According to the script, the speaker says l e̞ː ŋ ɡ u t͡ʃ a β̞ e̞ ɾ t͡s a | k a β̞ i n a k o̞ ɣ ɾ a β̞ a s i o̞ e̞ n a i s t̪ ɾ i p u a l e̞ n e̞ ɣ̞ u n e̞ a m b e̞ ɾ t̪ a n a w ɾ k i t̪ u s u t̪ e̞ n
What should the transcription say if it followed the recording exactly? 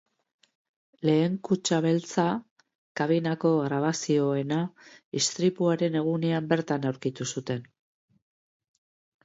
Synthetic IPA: l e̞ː ŋ k u t͡ʃ a β̞ e̞ l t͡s a | k a β̞ i n a k o̞ ɣ ɾ a β̞ a s i o̞ e̞ n a i s t̪ ɾ i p u a ɾ e̞ n e̞ ɣ̞ u n e̞ a m b e̞ ɾ t̪ a n a w ɾ k i t̪ u s u t̪ e̞ n